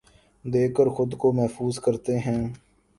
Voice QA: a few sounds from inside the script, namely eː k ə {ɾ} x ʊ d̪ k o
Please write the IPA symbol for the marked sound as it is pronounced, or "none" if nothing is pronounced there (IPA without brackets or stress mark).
ɾ